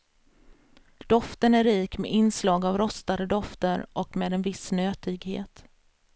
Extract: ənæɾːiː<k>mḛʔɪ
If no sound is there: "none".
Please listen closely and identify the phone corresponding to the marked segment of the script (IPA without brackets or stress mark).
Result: k